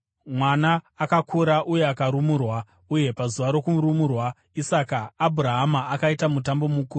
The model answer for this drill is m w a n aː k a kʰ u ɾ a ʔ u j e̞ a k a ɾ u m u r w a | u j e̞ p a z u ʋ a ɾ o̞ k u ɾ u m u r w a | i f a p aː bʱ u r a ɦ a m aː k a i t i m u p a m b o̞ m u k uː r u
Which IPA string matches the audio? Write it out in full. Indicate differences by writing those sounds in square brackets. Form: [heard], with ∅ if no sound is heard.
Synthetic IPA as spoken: m w a n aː k a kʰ u ɾ a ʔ u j e̞ a k a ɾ u m u r w a | u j e̞ p a z u ʋ a ɾ o̞ k u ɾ u m u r w a | i [s] a [k] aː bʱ u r a ɦ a m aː k a i t [a] m u [t] a m b o̞ m u k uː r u